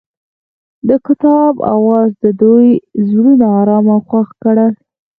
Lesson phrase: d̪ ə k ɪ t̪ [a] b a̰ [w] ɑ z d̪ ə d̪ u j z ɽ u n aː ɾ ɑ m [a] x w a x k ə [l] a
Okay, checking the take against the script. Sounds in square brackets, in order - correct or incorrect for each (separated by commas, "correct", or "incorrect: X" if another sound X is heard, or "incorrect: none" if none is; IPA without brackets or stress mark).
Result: incorrect: ɑ, correct, correct, incorrect: ɽ